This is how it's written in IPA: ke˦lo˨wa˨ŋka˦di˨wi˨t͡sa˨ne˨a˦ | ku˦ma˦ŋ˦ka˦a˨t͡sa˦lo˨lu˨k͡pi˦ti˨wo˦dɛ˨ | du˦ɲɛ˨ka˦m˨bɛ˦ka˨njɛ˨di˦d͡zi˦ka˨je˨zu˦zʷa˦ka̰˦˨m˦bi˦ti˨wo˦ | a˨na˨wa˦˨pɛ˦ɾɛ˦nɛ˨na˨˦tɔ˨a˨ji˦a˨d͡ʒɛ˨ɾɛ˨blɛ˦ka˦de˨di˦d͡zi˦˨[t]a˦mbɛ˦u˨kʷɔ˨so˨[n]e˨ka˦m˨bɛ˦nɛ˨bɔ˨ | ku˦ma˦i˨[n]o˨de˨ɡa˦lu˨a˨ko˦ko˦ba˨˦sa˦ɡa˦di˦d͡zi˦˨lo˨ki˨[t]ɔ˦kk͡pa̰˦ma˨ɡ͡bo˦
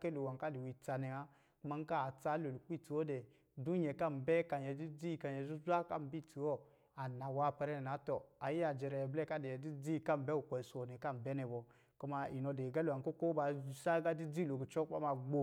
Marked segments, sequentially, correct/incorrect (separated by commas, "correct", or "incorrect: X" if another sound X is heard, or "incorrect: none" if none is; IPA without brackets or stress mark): incorrect: k, correct, correct, incorrect: t͡ʃ